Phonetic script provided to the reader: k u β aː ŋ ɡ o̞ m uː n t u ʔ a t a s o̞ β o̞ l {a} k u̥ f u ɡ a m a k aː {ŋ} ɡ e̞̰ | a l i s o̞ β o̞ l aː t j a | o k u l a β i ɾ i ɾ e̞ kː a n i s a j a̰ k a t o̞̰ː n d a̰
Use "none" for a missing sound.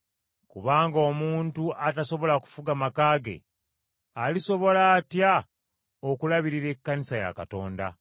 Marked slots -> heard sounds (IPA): a, none

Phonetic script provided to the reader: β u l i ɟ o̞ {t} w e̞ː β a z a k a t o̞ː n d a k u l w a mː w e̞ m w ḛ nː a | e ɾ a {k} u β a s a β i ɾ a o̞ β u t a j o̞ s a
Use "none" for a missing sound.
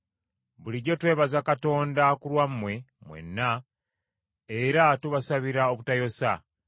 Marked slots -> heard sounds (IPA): t, t

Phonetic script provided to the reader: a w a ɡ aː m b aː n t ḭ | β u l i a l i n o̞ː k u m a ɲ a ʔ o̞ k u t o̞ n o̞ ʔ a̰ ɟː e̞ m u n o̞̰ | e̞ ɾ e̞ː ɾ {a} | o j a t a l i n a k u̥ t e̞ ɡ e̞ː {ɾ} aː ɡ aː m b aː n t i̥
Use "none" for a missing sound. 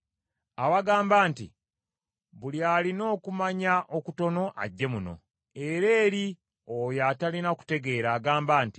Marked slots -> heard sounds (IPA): i, ɾ

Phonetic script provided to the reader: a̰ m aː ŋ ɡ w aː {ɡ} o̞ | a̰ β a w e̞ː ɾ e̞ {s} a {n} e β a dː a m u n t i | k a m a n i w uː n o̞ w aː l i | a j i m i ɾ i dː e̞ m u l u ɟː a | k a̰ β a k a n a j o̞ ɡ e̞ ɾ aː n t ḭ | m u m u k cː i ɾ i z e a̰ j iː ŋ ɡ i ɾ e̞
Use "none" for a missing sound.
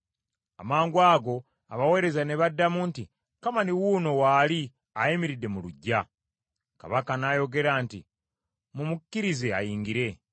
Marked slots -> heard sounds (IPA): ɡ, z, n

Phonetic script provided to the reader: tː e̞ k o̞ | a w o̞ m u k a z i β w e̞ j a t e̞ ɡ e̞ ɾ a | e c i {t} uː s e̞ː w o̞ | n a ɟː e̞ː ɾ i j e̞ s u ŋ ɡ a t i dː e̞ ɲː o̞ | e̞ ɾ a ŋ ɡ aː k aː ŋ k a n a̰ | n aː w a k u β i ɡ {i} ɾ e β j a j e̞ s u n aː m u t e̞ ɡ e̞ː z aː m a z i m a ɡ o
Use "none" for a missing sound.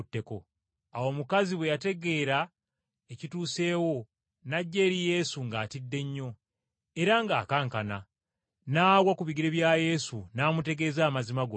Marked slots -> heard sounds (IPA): t, i

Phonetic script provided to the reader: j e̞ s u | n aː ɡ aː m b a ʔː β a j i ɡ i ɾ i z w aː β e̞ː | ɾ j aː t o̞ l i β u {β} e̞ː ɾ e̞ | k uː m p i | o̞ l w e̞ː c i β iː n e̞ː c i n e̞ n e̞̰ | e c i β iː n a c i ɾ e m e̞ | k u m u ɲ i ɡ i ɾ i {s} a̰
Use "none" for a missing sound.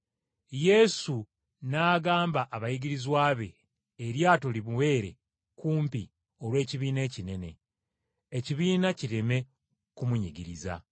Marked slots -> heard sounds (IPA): w, z

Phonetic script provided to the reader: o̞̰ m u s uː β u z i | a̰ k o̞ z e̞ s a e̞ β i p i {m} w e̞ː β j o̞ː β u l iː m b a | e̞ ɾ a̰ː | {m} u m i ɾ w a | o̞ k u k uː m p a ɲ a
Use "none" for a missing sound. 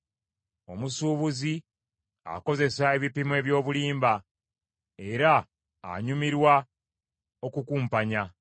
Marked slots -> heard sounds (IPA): m, ɲ

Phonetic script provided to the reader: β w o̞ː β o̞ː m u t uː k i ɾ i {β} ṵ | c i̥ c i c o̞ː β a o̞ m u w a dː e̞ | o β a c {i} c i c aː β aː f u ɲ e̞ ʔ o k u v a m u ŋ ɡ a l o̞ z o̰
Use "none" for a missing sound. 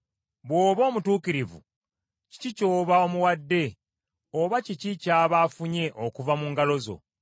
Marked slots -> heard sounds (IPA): v, i

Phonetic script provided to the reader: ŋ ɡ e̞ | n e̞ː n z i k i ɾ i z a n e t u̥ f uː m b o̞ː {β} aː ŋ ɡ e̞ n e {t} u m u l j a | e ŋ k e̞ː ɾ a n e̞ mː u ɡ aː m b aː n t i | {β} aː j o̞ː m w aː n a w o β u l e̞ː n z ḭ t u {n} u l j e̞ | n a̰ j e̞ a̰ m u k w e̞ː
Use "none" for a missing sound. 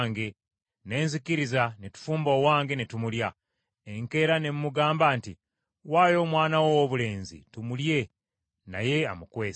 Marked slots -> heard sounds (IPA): w, t, w, m

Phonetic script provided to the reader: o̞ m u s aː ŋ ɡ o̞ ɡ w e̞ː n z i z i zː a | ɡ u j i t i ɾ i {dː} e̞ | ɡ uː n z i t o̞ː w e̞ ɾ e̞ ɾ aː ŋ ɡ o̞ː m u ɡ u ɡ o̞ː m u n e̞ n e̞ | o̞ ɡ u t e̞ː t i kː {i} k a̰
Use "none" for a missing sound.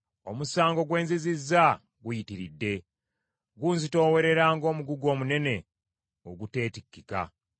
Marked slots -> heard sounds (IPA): dː, i

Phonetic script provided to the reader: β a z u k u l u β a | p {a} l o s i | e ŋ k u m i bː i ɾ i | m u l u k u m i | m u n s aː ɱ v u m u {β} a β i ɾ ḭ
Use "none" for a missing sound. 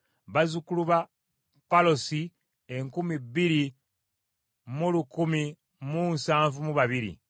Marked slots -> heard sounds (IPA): a, β

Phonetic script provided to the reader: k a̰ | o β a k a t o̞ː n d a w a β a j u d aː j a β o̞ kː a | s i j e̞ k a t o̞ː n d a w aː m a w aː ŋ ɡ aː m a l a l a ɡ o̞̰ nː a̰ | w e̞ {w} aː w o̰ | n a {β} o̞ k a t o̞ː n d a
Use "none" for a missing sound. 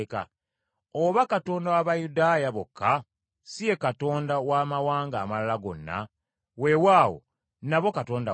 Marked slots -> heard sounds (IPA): w, β

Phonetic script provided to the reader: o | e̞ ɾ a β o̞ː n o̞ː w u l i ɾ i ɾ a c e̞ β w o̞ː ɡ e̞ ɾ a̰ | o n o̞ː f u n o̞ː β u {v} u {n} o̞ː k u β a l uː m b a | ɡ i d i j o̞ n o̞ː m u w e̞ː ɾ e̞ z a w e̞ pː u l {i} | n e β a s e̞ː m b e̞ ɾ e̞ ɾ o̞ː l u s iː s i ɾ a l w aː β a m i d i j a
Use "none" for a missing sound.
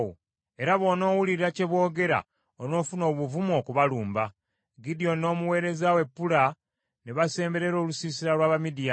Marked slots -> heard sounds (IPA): v, m, a

